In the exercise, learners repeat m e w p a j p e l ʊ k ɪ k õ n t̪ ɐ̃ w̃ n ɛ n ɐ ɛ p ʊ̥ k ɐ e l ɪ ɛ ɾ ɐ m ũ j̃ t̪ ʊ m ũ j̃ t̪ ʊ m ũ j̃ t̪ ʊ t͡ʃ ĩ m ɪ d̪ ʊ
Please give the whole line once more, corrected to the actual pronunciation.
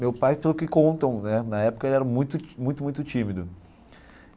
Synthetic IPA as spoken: m e w p a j p e l ʊ k ɪ k õ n t̪ ɐ̃ w̃ n ɛ n ɐ ɛ p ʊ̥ k ɐ e l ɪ ɛ ɾ ɐ m ũ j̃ t̪ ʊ m ũ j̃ t̪ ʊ m ũ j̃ t̪ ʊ t͡ʃ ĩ m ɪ d̪ ʊ